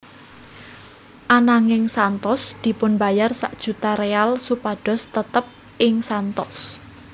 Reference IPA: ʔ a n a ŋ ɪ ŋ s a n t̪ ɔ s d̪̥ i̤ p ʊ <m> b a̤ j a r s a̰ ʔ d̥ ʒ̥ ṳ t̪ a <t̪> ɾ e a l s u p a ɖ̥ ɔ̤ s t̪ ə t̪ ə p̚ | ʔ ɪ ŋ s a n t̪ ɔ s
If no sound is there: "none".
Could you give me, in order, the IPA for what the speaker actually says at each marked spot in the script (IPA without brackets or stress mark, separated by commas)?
n, none